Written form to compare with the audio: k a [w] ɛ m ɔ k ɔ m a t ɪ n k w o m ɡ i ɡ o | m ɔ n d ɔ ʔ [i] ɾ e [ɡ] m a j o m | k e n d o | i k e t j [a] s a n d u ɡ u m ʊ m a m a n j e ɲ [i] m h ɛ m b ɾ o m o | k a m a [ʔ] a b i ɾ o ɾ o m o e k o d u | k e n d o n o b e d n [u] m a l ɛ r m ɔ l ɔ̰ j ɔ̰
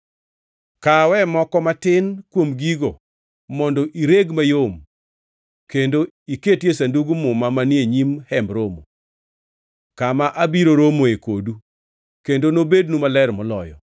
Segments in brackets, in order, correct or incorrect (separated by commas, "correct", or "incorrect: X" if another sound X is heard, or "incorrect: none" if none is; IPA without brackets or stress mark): correct, correct, correct, incorrect: e, correct, correct, correct